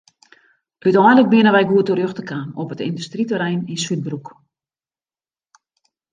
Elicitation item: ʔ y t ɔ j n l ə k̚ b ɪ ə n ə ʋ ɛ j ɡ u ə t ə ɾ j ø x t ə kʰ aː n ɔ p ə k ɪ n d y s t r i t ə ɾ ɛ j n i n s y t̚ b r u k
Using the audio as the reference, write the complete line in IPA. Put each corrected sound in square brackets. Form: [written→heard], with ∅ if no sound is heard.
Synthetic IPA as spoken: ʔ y t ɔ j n l ə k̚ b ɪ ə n ə ʋ ɛ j ɡ u ə t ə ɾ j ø x t ə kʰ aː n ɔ p ə [k→t] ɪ n d y s t r i t ə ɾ ɛ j n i n s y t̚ b r u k

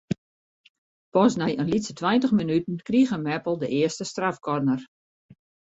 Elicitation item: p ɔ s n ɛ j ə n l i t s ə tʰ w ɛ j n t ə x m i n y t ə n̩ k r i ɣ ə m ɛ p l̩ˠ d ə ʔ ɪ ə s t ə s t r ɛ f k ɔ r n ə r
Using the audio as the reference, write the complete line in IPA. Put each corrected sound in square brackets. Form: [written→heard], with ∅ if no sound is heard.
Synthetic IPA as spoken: p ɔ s n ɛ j ə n l i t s ə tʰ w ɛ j n t ə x m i n y t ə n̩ k r i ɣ ə m ɛ p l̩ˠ d ə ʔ ɪ ə s t ə s t r [ɛ→a] f k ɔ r n ə r

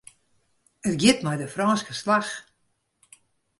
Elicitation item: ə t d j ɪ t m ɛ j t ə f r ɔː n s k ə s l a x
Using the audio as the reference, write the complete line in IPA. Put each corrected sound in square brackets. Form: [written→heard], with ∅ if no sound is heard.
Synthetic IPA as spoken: ə t [d→ɡ] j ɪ t m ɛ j [t→d] ə f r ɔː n s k ə s l a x

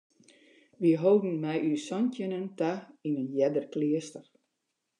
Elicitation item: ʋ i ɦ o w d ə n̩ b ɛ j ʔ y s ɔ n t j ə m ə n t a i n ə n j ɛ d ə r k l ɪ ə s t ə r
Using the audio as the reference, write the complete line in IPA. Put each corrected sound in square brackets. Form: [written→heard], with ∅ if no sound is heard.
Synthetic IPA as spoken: ʋ i ɦ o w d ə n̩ [b→m] ɛ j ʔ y s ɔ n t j ə [m→n] ə n t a i n ə n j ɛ d ə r k l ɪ ə s t ə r

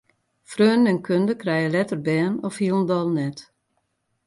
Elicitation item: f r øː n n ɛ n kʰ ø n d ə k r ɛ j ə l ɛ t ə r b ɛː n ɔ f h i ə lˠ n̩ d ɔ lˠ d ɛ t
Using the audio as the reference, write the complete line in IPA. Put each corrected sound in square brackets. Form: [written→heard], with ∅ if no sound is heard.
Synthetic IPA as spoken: f r øː n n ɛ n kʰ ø n d ə k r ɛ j ə l ɛ t ə r b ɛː n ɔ f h i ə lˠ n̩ d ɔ lˠ [d→n] ɛ t

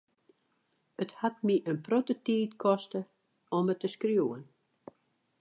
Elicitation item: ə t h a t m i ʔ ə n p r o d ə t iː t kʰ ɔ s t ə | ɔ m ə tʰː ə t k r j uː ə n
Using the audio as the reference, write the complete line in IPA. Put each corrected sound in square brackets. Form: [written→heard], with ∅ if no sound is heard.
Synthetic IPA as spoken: ə t h a t m i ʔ ə n p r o [d→t] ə t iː t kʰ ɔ s t ə | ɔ m ə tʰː ə [t→s] k r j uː ə n

